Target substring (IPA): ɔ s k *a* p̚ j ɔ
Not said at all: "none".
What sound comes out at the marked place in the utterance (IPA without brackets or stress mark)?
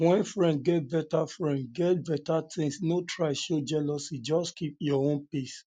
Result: i